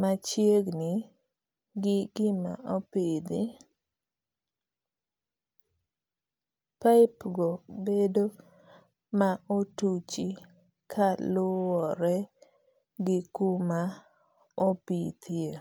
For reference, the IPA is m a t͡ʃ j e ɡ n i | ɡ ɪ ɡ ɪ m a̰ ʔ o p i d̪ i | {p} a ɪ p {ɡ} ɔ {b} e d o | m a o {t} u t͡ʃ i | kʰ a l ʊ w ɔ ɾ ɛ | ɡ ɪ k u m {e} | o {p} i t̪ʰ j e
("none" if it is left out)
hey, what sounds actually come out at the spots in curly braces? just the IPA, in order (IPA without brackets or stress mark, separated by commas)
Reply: p, ɡ, b, t, a, p